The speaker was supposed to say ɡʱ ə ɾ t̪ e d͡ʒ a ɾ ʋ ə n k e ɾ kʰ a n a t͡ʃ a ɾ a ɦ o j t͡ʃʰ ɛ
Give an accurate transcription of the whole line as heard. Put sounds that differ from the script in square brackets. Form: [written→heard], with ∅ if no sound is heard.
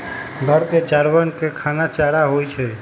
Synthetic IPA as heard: ɡʱ ə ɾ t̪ e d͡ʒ a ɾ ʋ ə n k e [ɾ→∅] kʰ a n a t͡ʃ a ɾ a ɦ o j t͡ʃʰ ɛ

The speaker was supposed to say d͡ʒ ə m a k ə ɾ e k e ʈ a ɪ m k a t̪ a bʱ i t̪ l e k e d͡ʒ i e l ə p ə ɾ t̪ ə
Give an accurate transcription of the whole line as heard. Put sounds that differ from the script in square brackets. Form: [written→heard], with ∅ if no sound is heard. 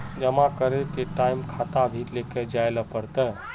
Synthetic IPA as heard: d͡ʒ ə m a k ə ɾ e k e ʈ a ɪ m [k→kʰ] a t̪ a bʱ i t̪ l e k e d͡ʒ [i→a] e l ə p ə ɾ t̪ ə

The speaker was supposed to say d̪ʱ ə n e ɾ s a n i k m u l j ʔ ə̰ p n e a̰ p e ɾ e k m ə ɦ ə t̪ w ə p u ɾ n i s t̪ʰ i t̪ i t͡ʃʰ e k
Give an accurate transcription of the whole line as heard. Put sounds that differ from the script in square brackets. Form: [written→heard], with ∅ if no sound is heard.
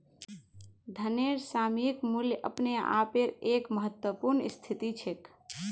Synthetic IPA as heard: d̪ʱ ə n e ɾ s a [n→m] i k m u l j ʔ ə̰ p n e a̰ p e ɾ e k m ə ɦ ə t̪ w ə p u ɾ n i s t̪ʰ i t̪ i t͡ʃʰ e k

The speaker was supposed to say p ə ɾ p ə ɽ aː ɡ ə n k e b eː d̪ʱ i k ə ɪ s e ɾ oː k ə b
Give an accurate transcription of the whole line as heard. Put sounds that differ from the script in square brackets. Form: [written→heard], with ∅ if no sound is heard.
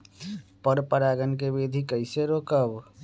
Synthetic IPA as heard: p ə ɾ p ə [ɽ→ɾ] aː ɡ ə n k e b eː d̪ʱ i k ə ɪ s e ɾ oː k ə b

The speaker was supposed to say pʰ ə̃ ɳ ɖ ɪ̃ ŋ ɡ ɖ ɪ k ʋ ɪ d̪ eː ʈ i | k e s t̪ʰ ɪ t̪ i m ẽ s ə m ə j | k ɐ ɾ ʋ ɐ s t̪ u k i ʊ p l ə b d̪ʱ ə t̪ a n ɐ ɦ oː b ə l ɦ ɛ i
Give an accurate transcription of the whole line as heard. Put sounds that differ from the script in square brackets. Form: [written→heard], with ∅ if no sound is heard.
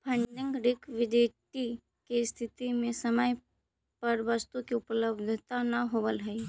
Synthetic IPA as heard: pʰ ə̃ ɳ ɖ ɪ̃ ŋ ɡ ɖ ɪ k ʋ ɪ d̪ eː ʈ i | k e s t̪ʰ ɪ t̪ i m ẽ s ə m ə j | [k→p] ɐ ɾ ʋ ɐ s t̪ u k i ʊ p l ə b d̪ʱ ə t̪ a n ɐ ɦ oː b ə l ɦ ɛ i

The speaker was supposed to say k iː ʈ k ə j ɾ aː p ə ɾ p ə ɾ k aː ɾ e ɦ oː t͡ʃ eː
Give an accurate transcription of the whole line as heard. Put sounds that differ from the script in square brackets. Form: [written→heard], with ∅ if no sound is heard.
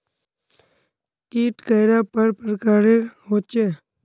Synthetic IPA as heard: k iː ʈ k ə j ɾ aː p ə ɾ p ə ɾ k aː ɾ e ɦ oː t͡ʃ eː

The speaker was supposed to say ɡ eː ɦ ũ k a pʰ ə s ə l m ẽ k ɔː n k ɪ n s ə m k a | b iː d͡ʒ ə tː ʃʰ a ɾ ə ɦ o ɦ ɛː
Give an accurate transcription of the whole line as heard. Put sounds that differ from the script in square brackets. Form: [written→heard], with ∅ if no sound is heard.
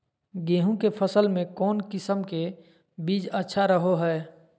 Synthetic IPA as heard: ɡ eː ɦ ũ k [a→e] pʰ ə s ə l m ẽ k ɔː n k ɪ [n→∅] s ə m k [a→e] | b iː d͡ʒ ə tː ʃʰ a ɾ ə ɦ o ɦ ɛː

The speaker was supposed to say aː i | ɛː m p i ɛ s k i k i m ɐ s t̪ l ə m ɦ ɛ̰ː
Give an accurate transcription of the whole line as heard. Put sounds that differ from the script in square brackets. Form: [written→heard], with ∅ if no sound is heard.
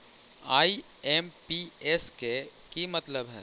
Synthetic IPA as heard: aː i | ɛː m p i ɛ s k [i→e] k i m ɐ [s→∅] t̪ l ə [m→b] ɦ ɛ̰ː

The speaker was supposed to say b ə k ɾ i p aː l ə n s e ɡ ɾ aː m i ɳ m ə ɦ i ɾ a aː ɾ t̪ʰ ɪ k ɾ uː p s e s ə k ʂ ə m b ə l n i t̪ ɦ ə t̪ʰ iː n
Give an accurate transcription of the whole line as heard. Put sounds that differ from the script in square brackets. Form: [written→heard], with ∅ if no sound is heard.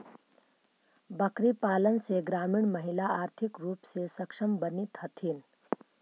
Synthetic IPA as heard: b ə k ɾ i p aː l ə n s e ɡ ɾ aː m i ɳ m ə ɦ i [ɾ→l] a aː ɾ t̪ʰ [ɪ→i] k ɾ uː p s e s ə k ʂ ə m b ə [l→∅] n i t̪ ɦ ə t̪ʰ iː n

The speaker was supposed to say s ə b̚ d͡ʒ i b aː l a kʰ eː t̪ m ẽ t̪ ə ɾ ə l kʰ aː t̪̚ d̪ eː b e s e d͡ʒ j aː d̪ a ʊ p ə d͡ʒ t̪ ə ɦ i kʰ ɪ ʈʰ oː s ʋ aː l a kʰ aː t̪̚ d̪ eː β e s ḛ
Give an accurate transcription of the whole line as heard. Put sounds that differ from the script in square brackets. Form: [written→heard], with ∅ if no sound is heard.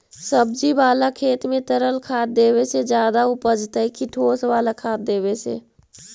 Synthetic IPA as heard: s ə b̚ d͡ʒ i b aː l a kʰ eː t̪ m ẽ t̪ ə ɾ ə l kʰ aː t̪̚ d̪ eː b e s e d͡ʒ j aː d̪ a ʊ p ə d͡ʒ t̪ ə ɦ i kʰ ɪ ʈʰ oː s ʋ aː l a kʰ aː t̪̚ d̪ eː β e s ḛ

